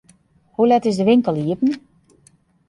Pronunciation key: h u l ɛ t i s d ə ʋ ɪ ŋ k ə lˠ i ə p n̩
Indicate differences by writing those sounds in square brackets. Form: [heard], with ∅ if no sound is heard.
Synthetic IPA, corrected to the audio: h u l ɛ t [ɪ] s d ə ʋ ɪ ŋ k ə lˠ i ə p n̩